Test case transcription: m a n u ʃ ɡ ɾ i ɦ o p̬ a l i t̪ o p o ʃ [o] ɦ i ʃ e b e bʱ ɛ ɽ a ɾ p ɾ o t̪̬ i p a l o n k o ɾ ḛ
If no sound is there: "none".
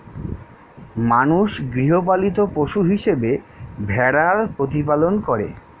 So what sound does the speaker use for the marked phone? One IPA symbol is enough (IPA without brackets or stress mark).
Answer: u